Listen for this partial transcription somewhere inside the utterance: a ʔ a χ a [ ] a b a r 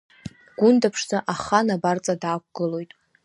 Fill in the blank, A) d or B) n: B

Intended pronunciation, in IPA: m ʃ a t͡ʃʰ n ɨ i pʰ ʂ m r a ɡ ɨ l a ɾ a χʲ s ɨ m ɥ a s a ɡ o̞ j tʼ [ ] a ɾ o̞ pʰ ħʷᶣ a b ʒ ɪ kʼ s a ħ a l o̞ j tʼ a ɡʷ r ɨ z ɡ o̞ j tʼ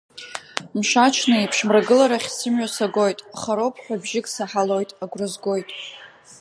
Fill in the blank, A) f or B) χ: B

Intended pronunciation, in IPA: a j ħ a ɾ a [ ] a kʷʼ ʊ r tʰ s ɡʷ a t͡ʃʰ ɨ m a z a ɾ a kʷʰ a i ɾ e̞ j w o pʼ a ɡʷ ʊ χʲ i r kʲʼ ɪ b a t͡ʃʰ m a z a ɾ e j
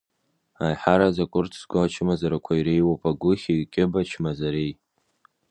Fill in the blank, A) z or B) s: A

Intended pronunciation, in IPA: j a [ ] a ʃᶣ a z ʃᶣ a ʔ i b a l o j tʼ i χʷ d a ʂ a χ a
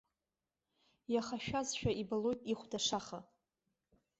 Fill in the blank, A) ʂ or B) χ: B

